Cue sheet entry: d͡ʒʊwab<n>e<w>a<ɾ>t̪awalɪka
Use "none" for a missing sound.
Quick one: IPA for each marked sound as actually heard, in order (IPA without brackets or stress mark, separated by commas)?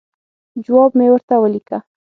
m, w, ɾ